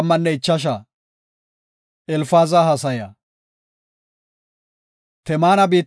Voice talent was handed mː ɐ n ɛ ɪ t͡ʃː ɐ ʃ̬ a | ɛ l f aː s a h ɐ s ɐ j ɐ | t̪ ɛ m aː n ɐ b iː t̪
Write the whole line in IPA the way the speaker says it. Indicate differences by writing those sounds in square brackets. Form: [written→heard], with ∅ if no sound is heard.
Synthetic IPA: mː ɐ [n→nː] ɛ ɪ t͡ʃː ɐ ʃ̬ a | ɛ l f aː [s→z] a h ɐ s ɐ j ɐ | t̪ ɛ m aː n ɐ b iː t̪